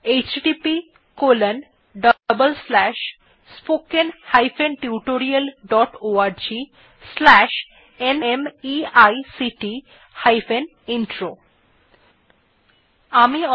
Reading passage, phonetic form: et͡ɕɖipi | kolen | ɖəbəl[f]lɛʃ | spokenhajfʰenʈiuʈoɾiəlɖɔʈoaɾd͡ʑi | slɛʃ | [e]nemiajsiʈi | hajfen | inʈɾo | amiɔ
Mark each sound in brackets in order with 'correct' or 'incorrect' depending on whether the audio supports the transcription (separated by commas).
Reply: incorrect, correct